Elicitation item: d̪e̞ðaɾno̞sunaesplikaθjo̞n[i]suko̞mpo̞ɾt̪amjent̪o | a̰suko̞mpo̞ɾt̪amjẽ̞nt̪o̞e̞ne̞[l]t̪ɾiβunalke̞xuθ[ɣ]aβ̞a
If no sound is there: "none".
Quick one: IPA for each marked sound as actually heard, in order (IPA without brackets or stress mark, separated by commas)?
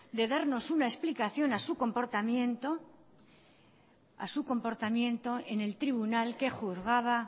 a, l, ɣ